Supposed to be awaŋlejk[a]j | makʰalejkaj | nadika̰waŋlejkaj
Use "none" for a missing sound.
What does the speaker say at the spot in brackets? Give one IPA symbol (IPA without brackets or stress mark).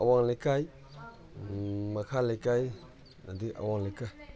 a